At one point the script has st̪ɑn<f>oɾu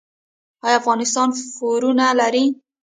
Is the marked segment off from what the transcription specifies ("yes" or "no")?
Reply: no